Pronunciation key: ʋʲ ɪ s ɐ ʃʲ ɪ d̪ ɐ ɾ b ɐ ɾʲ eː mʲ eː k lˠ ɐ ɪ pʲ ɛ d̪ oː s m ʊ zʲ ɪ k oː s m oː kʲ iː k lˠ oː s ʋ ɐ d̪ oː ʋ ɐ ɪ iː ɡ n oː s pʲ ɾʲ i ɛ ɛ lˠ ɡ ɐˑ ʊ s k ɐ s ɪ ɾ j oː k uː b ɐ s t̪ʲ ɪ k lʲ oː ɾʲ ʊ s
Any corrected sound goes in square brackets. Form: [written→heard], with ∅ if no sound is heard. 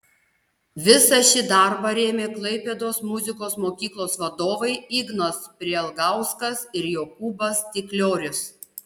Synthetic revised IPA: ʋʲ ɪ s ɐ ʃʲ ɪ d̪ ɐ ɾ b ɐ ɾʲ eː mʲ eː k lˠ ɐ ɪ pʲ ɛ d̪ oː s m ʊ zʲ ɪ k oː s m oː kʲ iː k lˠ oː s ʋ ɐ d̪ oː ʋ ɐ ɪ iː ɡ n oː s pʲ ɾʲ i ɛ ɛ lˠ ɡ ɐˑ ʊ s k ɐ s ɪ ɾ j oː k uː b ɐ s t̪ʲ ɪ k lʲ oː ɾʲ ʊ s